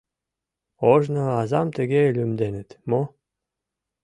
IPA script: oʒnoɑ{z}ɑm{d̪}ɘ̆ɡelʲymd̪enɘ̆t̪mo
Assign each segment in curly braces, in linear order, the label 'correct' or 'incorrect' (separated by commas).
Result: correct, incorrect